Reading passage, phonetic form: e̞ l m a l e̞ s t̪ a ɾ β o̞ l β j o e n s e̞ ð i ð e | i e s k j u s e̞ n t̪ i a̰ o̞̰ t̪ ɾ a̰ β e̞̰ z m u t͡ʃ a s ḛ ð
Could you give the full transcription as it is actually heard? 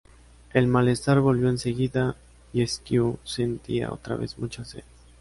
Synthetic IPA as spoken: e̞ l m a l e̞ s t̪ a ɾ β o̞ l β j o e n s e̞ ɣ i ð a | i e s k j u s e̞ n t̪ i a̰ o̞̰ t̪ ɾ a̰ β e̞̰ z m u t͡ʃ a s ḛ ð